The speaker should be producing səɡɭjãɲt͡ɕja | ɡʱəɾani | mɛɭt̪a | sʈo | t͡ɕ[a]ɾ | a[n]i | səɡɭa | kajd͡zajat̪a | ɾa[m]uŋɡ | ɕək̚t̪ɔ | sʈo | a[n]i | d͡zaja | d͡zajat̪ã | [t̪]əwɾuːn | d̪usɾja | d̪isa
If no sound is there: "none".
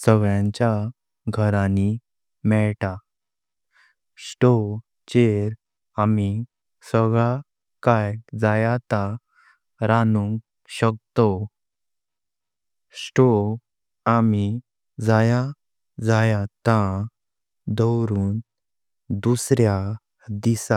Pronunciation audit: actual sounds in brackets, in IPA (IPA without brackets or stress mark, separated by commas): e, m, n, m, d̪